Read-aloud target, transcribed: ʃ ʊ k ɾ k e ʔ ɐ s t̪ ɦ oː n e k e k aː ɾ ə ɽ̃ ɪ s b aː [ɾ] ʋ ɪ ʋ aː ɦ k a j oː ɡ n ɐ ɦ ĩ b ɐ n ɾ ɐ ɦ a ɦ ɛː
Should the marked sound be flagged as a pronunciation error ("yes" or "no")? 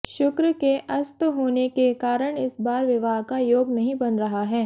no